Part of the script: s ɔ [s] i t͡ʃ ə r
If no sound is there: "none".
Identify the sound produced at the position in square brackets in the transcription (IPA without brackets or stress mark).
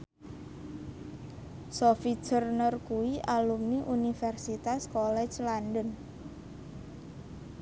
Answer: f